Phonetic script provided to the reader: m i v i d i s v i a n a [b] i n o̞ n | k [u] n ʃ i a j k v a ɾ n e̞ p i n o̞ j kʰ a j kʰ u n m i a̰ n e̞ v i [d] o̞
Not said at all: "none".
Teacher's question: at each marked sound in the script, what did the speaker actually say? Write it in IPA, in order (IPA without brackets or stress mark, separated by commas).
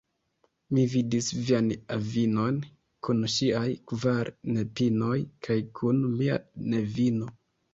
v, u, n